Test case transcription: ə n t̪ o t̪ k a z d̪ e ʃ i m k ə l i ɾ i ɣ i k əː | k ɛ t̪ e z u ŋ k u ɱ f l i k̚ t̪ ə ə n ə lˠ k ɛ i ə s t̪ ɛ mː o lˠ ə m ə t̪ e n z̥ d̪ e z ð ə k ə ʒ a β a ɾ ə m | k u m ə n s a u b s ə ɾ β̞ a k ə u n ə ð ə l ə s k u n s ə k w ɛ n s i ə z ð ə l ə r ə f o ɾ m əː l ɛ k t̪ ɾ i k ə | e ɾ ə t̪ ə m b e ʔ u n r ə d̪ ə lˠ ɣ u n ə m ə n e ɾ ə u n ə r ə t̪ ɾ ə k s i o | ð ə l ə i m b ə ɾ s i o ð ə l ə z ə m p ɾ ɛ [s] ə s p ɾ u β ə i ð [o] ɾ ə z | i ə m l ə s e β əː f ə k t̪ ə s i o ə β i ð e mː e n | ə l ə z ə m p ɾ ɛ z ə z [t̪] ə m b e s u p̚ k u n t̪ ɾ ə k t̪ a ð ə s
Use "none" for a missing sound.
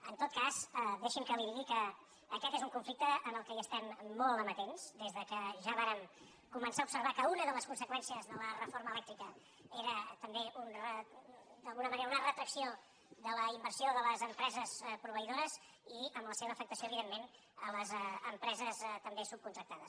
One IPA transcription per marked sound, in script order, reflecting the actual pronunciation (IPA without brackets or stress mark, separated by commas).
z, o, t̪